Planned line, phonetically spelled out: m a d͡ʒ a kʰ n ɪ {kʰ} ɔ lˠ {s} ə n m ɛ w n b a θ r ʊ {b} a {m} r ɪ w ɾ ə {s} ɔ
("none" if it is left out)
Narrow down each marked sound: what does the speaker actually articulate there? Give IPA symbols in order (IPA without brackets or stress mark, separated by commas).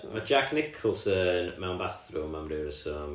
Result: kʰ, s, m, m, s